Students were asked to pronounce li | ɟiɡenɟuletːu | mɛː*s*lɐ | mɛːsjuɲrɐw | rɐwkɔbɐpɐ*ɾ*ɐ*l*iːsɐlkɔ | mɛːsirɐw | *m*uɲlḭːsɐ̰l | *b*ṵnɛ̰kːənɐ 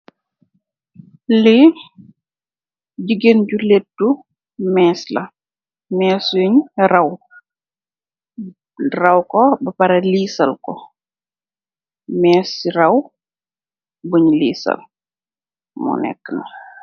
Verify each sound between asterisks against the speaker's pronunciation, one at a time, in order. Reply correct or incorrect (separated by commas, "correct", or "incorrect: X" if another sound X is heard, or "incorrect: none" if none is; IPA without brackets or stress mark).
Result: correct, correct, correct, incorrect: b, incorrect: m